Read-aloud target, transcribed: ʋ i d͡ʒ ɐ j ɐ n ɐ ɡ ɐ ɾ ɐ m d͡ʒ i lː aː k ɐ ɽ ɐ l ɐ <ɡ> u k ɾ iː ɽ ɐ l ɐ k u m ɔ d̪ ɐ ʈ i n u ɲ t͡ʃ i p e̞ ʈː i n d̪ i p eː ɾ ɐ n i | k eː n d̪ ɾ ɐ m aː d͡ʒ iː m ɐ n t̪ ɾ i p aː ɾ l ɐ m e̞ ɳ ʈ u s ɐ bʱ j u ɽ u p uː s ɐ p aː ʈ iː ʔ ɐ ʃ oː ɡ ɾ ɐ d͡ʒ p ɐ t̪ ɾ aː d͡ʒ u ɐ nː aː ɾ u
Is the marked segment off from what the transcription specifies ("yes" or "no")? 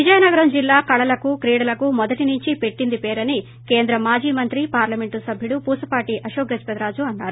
yes